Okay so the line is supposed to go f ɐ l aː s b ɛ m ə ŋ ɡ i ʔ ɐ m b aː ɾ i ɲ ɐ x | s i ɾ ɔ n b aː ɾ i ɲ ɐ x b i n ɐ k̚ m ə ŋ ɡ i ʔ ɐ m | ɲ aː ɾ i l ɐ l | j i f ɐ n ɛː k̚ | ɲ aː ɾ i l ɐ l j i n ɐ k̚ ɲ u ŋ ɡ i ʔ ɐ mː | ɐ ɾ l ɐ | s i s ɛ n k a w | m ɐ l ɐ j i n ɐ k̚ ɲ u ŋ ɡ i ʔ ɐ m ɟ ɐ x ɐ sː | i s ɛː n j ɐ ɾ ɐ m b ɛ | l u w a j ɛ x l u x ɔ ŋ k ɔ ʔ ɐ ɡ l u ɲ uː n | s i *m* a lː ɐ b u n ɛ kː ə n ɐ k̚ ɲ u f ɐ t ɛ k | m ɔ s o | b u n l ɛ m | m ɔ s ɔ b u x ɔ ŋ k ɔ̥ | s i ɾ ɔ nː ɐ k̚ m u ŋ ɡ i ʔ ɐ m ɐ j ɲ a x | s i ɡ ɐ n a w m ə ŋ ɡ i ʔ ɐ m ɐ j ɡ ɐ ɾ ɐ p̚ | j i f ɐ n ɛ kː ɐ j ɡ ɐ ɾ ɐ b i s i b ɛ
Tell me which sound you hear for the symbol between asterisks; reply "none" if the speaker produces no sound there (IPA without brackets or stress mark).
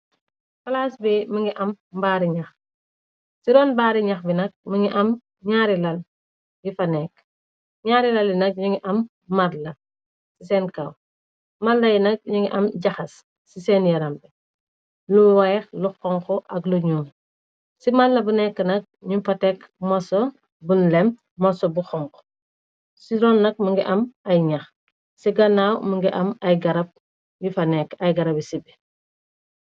m